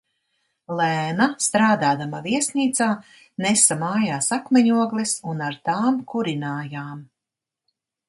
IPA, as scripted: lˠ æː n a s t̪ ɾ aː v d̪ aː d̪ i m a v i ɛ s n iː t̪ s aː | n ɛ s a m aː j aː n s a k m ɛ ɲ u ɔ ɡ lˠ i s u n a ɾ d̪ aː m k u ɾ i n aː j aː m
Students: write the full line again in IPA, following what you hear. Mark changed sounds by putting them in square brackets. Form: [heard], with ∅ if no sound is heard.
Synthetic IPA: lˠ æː n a s t̪ ɾ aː [∅] d̪ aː d̪ [a] m a v i ɛ s n iː t̪ s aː | n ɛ s a m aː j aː [∅] s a k m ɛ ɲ u ɔ ɡ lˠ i s u n a ɾ [t̪] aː m k u ɾ i n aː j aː m

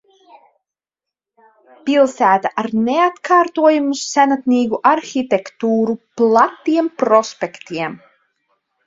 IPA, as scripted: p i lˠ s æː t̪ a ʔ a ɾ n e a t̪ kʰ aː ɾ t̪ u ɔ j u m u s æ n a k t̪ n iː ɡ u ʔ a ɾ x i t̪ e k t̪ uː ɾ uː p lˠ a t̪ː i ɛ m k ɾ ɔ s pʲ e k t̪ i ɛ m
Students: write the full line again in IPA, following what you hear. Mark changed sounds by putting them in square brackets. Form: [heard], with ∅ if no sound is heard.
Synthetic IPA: p i lˠ s æː t̪ a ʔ a ɾ n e a t̪ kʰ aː ɾ t̪ u ɔ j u m u s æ n a [∅] t̪ n iː ɡ u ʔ a ɾ x i t̪ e k t̪ uː ɾ [u] p lˠ a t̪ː i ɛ m [p] ɾ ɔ s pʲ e k t̪ i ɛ m

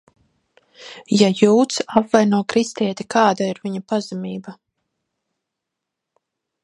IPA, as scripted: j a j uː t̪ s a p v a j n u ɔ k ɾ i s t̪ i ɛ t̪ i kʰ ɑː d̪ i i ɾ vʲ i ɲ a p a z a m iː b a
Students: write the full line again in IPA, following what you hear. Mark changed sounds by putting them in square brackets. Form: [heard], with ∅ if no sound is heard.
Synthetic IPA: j a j uː t̪ s a p v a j n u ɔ k ɾ i s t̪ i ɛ t̪ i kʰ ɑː d̪ [a] i ɾ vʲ i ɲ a p a z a m iː b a

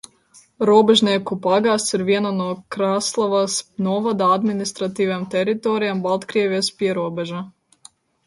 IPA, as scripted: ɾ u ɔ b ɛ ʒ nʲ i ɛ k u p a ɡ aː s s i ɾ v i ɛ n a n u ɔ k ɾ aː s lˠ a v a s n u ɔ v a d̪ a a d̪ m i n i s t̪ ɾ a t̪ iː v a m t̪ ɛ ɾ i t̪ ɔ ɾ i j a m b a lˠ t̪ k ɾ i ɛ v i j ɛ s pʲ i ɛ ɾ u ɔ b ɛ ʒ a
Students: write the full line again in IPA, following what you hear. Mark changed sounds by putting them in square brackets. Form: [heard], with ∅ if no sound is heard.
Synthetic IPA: ɾ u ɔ b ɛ ʒ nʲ i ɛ k u p a ɡ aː s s i ɾ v i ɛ n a n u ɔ k ɾ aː s lˠ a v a s n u ɔ v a d̪ a a d̪ m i n i s t̪ ɾ a t̪ iː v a m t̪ ɛ ɾ i t̪ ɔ ɾ i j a m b a lˠ t̪ k ɾ i ɛ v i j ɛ s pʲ i ɛ ɾ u ɔ b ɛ ʒ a

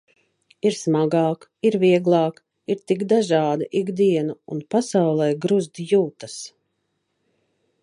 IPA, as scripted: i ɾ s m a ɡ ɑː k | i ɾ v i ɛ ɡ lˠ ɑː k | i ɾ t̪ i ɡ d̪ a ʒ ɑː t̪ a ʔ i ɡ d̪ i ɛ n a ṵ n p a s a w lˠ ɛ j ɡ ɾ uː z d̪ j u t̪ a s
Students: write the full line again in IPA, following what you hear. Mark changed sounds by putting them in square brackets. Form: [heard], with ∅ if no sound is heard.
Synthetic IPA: i ɾ s m a ɡ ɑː k | i ɾ v i ɛ ɡ lˠ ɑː k | i ɾ t̪ i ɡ d̪ a ʒ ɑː [d̪] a ʔ i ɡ d̪ i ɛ n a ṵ n p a s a w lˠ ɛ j ɡ ɾ [u] z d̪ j [uː] t̪ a s

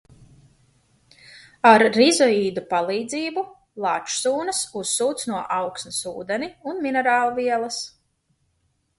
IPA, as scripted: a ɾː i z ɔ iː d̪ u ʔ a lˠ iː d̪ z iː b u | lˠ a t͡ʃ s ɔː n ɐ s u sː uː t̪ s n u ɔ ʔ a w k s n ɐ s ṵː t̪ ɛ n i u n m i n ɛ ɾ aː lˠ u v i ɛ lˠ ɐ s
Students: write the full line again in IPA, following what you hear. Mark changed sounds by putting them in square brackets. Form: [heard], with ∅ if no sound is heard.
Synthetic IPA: a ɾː i z ɔ iː d̪ u [p] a lˠ iː d̪ z iː b u | lˠ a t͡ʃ s [uː] n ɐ s u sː uː t̪ s n u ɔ ʔ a w k s n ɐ s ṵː [d̪] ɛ n i u n m i n ɛ ɾ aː lˠ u v i ɛ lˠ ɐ s

